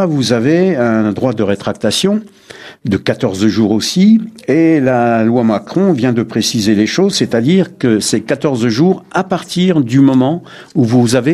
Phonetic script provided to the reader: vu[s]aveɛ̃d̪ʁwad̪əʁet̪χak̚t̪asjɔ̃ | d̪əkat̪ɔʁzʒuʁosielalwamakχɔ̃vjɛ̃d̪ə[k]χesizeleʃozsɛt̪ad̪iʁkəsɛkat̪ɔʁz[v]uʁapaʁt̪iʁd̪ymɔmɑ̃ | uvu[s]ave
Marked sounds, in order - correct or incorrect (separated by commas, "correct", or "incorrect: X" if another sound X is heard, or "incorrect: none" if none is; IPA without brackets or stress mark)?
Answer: incorrect: z, incorrect: p, incorrect: ʒ, incorrect: z